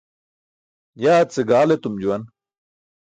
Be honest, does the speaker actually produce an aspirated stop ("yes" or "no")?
no